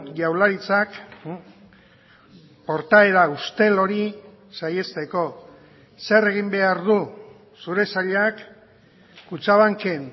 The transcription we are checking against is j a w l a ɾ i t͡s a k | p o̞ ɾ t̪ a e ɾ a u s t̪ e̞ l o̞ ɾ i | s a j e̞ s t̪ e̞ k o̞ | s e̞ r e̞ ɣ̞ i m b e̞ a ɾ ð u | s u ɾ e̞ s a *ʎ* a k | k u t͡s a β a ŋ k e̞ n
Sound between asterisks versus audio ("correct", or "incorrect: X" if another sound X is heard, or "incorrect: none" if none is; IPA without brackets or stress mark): correct